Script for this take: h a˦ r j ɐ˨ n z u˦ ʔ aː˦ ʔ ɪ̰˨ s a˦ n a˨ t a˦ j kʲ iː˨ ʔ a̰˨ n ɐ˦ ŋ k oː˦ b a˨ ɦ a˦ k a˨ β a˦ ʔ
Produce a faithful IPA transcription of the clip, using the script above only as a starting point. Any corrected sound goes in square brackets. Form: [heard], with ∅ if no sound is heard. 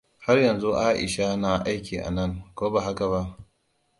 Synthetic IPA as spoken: h a˦ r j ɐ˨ n z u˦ ʔ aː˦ ʔ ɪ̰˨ [ʃ] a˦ n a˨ [ʔ] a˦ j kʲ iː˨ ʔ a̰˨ n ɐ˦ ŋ k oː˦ b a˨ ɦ a˦ k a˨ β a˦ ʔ